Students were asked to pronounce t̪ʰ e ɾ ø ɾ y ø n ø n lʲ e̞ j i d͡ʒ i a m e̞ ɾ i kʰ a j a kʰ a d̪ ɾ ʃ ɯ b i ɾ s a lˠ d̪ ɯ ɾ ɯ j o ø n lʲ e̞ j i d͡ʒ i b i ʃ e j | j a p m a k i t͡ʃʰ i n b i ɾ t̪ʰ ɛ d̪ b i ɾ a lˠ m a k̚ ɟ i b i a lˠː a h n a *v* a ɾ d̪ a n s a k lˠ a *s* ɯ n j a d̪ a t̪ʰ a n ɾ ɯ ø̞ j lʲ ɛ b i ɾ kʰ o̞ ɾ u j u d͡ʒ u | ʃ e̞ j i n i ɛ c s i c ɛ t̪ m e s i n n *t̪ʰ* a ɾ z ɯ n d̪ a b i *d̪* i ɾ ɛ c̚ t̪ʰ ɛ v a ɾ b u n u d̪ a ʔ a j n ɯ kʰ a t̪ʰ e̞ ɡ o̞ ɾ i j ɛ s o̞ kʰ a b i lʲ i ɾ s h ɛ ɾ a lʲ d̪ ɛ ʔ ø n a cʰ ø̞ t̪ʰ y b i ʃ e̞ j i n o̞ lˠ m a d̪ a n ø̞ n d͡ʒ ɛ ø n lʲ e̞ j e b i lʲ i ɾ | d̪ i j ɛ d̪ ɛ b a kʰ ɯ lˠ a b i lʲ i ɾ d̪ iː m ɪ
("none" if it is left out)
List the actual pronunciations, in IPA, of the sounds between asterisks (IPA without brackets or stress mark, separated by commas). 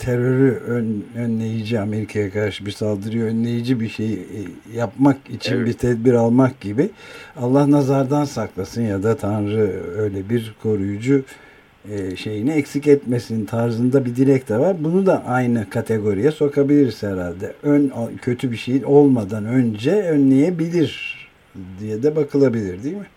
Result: z, s, t̪ʰ, d̪